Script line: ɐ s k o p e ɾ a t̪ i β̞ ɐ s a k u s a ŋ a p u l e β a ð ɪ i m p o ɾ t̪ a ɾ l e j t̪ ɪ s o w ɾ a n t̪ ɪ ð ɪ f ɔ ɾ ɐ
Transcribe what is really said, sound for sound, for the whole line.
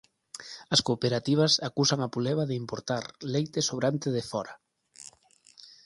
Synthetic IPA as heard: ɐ s k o p e ɾ a t̪ i β̞ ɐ s a k u s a ŋ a p u l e β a ð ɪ i m p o ɾ t̪ a ɾ l e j t̪ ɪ s o β ɾ a n t̪ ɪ ð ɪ f ɔ ɾ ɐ